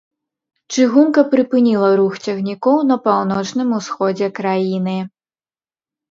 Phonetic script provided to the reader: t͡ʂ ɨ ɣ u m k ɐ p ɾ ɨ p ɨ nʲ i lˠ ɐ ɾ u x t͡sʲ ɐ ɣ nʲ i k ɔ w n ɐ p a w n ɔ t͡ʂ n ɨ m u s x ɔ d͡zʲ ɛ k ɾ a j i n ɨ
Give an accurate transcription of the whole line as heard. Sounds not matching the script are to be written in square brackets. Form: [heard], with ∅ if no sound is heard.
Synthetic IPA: t͡ʂ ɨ ɣ u m k ɐ p ɾ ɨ p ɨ nʲ i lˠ ɐ ɾ u x t͡sʲ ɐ ɣ nʲ i k ɔ w n ɐ p a w n ɔ t͡ʂ n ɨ m u s x ɔ d͡zʲ ɛ k ɾ a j i n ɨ